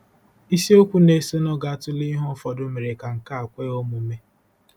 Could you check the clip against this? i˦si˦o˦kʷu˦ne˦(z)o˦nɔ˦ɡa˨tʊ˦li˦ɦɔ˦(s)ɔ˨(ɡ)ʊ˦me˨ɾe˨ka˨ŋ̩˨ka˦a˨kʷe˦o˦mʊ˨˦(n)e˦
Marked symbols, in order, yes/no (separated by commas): no, no, no, no